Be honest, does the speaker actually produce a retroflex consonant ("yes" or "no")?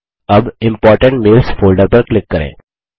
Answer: yes